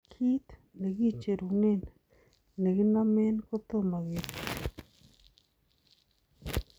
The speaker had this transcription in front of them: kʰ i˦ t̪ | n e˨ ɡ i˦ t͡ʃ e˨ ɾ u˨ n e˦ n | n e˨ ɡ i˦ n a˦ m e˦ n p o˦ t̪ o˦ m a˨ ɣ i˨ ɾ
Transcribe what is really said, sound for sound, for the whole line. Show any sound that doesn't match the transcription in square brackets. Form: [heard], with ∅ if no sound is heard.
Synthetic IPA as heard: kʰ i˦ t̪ | n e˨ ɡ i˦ t͡ʃ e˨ ɾ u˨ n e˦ n | n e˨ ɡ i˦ n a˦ m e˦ n [k] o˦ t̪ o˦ m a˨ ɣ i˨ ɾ